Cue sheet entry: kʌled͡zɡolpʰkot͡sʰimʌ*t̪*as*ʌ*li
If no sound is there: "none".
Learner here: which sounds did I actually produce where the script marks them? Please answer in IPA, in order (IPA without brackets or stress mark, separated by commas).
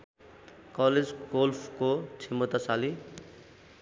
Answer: t̪, a